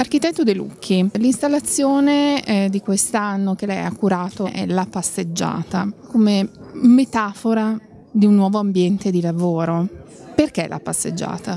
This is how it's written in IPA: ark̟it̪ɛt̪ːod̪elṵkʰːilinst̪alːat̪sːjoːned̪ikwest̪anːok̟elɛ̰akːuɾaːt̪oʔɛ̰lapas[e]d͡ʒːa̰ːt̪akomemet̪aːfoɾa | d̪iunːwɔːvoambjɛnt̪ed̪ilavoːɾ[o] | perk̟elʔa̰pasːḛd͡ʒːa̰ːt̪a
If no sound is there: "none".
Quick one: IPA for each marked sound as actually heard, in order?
e, o

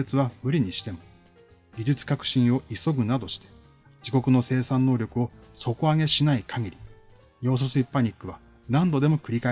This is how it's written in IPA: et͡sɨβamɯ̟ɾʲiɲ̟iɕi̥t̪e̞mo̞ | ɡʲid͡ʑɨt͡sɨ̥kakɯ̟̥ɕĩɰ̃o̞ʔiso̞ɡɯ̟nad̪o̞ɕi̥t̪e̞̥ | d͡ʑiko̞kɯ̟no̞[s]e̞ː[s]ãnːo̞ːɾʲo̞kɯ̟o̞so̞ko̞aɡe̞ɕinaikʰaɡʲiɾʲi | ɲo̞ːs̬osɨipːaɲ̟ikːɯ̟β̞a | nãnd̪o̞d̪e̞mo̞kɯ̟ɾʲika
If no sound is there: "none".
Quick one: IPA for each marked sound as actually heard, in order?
s, s

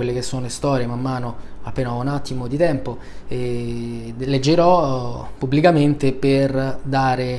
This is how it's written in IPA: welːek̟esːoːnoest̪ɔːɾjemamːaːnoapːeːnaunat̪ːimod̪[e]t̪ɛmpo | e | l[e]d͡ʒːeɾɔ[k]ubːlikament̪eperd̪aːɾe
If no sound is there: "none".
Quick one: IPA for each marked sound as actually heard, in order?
i, e, p

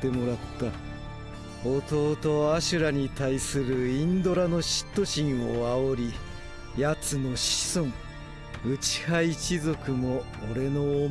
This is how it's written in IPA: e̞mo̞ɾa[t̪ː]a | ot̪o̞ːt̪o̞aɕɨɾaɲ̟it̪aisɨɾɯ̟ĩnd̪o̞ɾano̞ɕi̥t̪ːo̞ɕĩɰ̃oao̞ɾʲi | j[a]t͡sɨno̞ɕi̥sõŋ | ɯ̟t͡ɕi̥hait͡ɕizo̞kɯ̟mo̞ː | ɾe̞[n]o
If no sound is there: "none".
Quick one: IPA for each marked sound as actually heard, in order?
t̪ː, a, n

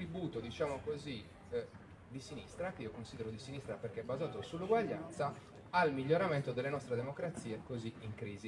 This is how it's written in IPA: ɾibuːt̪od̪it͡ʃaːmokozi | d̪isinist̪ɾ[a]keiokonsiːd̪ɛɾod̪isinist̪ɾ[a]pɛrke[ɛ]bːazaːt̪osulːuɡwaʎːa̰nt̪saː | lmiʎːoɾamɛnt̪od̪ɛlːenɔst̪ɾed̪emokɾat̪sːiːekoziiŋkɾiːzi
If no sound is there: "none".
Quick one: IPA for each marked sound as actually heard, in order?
a, a, ɛ

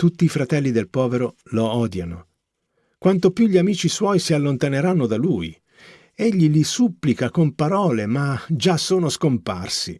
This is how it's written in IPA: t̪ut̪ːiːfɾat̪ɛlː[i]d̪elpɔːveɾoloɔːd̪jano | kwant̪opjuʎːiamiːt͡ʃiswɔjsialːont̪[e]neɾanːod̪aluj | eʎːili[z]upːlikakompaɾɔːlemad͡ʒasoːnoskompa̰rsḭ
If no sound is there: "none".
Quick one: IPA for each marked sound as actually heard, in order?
i, a, s

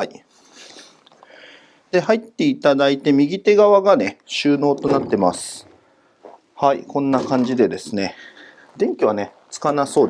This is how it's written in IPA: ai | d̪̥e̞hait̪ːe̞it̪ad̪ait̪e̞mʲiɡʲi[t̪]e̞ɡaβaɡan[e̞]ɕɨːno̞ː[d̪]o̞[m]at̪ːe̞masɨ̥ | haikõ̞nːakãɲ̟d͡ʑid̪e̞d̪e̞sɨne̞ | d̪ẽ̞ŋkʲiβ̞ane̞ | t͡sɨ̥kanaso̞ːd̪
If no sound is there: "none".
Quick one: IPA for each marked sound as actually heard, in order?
t̪, e̞, t̪, n

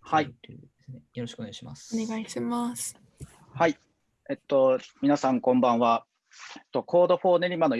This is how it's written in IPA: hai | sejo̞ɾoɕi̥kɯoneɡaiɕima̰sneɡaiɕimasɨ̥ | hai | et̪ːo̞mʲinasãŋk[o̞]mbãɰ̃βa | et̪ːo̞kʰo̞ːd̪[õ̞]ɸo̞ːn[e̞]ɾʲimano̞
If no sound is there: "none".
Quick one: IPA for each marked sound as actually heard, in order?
õ̞, o̞, e̞

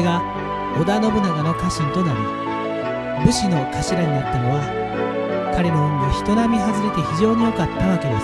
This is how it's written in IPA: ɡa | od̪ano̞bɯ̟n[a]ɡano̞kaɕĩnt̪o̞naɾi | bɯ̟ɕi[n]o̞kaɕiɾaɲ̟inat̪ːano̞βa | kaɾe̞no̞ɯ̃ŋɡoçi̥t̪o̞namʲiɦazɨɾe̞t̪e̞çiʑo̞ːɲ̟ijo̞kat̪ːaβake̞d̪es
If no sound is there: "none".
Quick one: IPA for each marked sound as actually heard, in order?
a, n

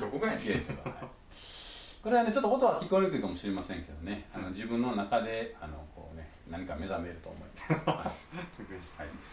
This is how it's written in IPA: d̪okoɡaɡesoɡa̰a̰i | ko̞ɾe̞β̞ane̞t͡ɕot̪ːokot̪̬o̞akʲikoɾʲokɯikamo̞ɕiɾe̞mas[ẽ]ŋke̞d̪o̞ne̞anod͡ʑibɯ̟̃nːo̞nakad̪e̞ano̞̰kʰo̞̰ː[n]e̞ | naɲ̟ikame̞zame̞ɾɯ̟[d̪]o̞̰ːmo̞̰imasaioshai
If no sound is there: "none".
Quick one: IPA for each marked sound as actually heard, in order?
ẽ, n, t̪

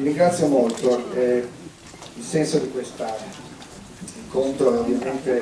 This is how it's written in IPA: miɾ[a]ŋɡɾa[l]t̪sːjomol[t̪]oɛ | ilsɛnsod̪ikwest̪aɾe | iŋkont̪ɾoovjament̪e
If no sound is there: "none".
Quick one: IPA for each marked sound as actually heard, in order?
i, none, t̪

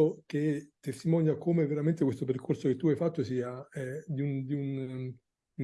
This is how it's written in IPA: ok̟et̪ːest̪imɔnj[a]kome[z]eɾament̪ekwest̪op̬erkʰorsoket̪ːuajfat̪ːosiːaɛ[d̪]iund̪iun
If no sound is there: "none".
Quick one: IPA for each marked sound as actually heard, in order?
a, v, d̪

